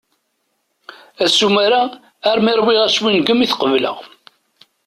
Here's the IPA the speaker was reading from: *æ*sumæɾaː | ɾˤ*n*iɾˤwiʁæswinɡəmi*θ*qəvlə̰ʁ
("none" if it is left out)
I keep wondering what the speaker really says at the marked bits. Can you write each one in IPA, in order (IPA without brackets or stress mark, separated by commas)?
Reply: æ, m, θ